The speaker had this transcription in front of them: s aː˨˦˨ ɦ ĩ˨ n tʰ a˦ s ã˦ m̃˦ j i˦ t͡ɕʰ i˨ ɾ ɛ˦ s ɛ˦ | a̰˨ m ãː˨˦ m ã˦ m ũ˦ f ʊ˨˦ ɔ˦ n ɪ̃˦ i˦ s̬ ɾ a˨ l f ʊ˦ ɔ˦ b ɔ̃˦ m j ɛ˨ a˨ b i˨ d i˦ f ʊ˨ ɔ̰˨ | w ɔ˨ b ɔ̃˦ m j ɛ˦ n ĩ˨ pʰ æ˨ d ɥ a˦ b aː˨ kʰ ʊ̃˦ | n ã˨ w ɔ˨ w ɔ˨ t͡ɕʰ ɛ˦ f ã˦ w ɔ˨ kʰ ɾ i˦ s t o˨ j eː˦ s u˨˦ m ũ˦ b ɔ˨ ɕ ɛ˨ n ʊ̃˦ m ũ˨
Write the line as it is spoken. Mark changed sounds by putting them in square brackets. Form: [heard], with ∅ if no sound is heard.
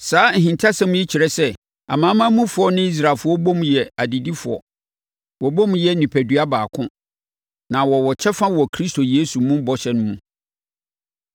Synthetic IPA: s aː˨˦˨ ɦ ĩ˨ n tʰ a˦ s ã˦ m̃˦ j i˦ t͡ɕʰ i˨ ɾ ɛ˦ s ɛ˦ | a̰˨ m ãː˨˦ m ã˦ m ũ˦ f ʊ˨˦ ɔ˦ n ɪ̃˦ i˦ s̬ ɾ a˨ l f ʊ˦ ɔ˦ b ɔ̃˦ m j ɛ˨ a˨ [d] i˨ d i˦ f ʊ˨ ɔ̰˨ | w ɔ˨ b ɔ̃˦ m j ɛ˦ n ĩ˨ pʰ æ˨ d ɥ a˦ b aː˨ kʰ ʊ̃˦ | n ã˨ w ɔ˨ w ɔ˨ t͡ɕʰ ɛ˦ f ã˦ w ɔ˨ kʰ ɾ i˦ s t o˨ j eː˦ s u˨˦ m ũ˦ b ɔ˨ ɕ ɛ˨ n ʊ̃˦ m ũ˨